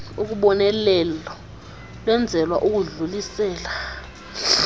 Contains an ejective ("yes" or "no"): no